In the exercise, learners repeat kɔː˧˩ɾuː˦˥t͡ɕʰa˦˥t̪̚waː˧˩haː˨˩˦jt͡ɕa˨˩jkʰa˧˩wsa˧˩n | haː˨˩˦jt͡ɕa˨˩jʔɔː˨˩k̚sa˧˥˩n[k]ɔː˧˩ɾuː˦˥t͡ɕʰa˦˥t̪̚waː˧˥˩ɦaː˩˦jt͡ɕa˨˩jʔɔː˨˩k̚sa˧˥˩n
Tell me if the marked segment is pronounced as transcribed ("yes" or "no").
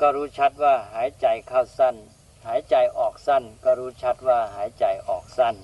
yes